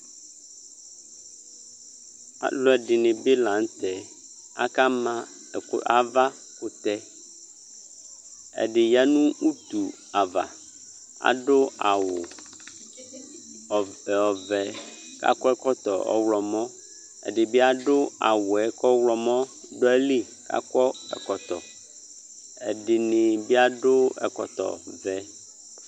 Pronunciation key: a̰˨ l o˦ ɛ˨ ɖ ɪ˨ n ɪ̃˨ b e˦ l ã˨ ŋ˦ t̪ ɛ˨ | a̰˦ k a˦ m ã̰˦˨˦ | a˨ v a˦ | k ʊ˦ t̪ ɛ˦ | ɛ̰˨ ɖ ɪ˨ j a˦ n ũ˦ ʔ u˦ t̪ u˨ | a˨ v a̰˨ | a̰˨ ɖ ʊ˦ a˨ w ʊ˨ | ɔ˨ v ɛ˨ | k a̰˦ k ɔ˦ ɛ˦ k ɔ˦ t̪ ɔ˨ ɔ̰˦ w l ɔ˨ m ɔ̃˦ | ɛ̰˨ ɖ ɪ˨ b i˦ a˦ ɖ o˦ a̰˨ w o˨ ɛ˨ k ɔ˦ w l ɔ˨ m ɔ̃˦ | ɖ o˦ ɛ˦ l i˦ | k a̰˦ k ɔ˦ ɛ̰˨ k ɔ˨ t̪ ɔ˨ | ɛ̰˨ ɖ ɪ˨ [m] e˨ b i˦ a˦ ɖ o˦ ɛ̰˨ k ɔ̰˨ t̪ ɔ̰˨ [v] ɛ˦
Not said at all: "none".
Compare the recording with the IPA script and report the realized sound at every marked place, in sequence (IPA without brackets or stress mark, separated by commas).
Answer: n, v